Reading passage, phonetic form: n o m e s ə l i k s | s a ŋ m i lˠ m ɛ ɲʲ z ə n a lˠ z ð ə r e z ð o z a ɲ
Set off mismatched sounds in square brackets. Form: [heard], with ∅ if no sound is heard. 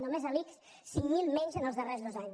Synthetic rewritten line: n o m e [z] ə l i k s | s [i] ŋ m i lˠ m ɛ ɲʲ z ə n [ə] lˠ z ð ə r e z ð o z a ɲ